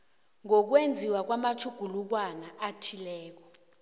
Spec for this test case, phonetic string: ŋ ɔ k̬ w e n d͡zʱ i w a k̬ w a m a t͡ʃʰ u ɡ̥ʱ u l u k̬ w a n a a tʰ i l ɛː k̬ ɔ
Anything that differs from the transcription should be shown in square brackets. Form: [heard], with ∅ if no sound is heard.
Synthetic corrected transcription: ŋ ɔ k̬ w e n d͡zʱ i w a k̬ w a m a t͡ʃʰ u ɡ̥ʱ u l u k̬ w a n a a tʰ i l ɛː k̬ ɔ